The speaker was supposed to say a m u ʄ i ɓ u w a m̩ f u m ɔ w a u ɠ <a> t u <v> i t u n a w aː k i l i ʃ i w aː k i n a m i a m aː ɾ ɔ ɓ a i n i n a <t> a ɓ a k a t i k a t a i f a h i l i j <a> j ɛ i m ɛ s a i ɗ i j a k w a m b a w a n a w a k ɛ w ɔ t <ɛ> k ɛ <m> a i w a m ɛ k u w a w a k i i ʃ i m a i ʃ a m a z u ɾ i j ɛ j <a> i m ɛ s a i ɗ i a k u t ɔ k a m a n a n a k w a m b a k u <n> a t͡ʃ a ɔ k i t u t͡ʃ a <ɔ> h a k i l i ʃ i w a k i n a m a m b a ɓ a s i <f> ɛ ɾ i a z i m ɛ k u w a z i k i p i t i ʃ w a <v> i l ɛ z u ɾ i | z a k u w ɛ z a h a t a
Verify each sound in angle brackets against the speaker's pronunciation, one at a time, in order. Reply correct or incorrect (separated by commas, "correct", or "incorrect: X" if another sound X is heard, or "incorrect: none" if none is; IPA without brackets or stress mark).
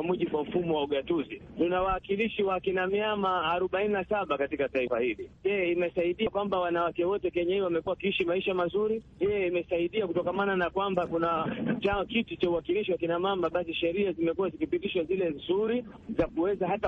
correct, incorrect: z, incorrect: s, incorrect: ɛ, correct, incorrect: ɲ, incorrect: ɛ, correct, incorrect: u, incorrect: ʃ, incorrect: z